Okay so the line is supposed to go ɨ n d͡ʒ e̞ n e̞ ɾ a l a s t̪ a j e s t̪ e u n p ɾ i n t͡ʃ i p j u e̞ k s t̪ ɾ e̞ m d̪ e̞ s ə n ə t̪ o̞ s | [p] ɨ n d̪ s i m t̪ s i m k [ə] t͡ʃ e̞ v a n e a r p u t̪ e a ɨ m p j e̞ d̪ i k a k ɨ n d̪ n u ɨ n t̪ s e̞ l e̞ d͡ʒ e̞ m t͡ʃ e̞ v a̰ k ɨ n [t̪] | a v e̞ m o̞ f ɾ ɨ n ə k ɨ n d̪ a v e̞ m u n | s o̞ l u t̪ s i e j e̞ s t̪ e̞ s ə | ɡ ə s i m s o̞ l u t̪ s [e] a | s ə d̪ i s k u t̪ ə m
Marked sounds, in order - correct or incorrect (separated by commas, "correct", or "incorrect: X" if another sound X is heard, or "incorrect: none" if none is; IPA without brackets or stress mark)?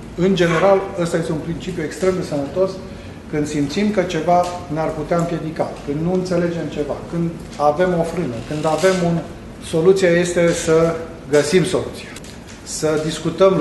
incorrect: k, correct, incorrect: d̪, incorrect: i